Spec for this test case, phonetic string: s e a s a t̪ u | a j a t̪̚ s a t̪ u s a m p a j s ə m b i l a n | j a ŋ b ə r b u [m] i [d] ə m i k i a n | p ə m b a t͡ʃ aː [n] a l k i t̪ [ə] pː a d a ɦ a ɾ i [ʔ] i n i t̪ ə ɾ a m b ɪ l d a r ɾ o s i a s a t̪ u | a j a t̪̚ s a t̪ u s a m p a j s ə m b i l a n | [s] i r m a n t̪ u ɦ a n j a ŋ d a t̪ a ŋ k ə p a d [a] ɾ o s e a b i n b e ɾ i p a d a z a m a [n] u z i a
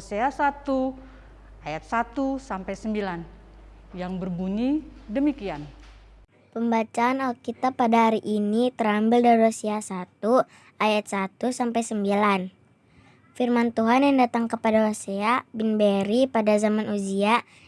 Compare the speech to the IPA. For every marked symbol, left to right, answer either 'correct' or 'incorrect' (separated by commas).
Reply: incorrect, correct, correct, incorrect, correct, incorrect, correct, correct